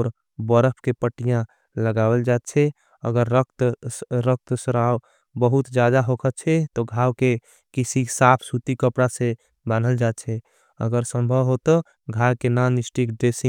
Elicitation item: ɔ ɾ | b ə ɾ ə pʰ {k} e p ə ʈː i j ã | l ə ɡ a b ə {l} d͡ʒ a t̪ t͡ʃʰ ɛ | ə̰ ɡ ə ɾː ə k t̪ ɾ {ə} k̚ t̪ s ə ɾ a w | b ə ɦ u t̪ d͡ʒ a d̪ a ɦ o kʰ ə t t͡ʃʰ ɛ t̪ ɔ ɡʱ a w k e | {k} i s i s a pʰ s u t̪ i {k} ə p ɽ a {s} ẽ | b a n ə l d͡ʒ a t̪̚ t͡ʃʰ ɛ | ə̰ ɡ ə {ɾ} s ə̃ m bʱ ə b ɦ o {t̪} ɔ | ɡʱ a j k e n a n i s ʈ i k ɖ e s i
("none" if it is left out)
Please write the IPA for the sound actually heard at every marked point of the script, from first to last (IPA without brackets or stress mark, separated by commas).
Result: k, l, ə, k, k, s, ɾ, t̪